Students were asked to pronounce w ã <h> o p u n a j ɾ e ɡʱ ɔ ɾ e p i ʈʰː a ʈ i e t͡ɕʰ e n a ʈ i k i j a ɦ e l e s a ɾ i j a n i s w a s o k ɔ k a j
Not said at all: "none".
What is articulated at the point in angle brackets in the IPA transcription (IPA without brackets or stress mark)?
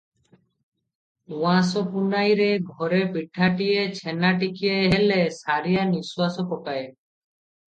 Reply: s